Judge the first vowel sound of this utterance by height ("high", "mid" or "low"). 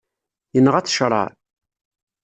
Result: mid